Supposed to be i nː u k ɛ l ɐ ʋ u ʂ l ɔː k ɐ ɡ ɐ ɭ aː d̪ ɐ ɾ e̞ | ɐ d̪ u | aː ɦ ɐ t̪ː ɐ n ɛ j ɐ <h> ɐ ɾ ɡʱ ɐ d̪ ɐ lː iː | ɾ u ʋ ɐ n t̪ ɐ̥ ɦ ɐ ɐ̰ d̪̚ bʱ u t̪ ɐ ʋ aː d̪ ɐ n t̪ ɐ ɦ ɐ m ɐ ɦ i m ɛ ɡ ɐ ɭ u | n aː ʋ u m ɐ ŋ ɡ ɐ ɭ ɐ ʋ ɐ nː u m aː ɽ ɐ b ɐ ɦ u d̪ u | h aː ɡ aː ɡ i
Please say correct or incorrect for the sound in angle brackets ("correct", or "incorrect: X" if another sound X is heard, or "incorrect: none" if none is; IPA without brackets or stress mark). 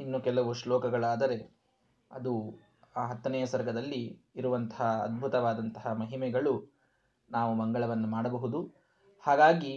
incorrect: s